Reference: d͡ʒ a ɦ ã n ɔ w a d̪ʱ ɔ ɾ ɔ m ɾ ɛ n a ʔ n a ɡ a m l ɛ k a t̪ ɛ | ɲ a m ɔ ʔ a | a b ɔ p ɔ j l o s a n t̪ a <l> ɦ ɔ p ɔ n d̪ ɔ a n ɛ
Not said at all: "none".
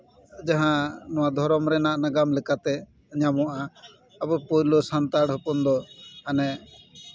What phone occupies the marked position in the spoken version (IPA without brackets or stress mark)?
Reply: ɽ